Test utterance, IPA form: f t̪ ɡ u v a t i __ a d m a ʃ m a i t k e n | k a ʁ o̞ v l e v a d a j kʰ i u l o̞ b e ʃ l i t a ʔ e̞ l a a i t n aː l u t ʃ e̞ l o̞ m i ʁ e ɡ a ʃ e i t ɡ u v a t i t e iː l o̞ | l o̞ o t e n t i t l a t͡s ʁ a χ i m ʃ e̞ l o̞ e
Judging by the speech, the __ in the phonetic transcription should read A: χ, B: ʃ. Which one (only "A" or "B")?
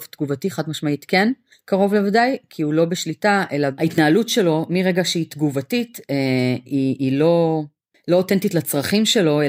A